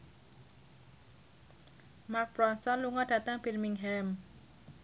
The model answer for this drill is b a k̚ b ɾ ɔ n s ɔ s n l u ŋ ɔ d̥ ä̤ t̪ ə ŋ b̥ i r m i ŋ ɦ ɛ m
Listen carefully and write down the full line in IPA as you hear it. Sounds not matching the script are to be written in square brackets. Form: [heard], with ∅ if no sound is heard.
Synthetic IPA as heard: [m] a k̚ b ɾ ɔ n s ɔ [∅] n l u ŋ ɔ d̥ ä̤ t̪ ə ŋ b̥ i r m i ŋ ɦ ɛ m